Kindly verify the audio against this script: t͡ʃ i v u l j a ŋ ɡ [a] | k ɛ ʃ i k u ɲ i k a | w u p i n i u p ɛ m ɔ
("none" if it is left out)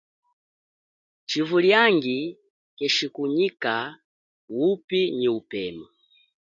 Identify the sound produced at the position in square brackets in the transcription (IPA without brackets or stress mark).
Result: i